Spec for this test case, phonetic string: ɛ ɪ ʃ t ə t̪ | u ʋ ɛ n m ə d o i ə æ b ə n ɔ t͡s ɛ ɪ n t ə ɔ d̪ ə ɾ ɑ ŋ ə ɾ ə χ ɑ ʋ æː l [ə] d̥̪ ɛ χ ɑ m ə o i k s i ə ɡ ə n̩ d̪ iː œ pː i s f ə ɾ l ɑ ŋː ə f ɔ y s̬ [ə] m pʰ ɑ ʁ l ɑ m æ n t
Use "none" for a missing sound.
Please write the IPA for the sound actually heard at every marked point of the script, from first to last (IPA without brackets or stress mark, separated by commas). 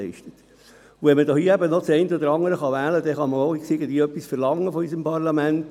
ə, ə